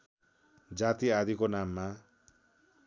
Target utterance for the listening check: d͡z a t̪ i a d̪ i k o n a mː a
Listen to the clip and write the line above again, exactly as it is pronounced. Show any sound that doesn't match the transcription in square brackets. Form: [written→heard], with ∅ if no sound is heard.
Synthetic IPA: d͡z a t̪ i a d̪ i k o n a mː a